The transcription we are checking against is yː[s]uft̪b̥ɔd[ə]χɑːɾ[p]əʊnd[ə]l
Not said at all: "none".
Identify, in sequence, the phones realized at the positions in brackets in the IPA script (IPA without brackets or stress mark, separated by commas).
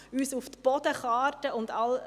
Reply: s, ə, t, ɑ